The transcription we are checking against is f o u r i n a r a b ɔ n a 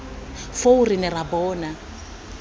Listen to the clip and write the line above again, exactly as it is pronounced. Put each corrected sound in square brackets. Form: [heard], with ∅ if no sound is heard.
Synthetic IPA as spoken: f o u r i n [ɛ] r a b [ɔː] n a